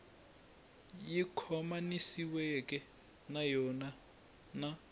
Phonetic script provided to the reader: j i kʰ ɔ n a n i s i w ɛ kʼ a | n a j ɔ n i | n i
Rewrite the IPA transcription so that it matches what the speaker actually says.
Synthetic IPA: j i kʰ ɔ m a n i s i w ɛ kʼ ɛ | n a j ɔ n a | n a